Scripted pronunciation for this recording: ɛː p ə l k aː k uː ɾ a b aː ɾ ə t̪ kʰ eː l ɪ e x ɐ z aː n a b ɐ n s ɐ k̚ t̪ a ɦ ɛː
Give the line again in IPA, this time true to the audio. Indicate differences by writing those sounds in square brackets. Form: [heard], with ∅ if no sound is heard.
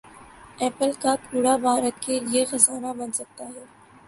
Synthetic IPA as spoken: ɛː p ə l k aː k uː [ɽ] a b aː ɾ ə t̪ kʰ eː l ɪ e x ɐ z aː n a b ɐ n s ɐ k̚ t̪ a ɦ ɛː